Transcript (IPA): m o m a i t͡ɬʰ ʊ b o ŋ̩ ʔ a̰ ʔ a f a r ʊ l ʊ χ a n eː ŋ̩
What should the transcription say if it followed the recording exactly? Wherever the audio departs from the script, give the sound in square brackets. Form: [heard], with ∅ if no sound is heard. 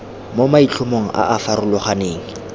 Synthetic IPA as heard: m o m a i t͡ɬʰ ʊ [m] o ŋ̩ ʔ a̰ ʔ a f a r ʊ l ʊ χ a n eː ŋ̩